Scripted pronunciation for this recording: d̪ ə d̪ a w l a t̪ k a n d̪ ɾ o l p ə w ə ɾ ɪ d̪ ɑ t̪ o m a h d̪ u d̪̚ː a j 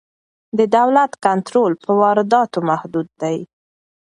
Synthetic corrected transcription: d̪ ə d̪ a w l a t̪ k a n t̪ ɾ o l p ə w ɑ ɾ ɪ d̪ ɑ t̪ o m a h d̪ u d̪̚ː a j